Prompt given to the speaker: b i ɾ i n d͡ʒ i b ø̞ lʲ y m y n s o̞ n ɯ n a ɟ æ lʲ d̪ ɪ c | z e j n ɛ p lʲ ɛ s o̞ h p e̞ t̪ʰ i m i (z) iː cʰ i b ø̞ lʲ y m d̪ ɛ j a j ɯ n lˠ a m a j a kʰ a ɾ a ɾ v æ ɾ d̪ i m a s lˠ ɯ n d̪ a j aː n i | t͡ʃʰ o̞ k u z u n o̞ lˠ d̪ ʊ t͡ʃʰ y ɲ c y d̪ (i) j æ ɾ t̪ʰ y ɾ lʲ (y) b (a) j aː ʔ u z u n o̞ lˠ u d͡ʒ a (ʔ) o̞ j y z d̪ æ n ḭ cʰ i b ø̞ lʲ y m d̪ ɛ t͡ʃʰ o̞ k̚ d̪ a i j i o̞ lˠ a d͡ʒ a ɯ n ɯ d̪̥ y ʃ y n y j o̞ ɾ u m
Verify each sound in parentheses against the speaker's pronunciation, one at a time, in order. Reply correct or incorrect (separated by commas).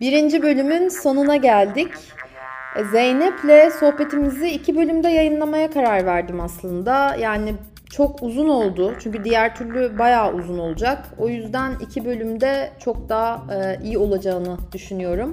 correct, correct, correct, correct, incorrect